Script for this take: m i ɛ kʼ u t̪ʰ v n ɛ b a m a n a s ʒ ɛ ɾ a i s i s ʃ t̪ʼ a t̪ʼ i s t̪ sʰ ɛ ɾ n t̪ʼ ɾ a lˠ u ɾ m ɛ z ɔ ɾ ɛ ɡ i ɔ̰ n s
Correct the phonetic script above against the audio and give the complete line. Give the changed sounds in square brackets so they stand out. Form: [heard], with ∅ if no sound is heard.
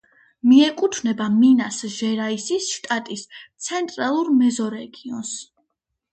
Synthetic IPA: m i ɛ kʼ u t̪ʰ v n ɛ b a m [i] n a s ʒ ɛ ɾ a i s i s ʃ t̪ʼ a t̪ʼ i s t̪ sʰ ɛ [∅] n t̪ʼ ɾ a lˠ u ɾ m ɛ z ɔ ɾ ɛ ɡ i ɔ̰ n s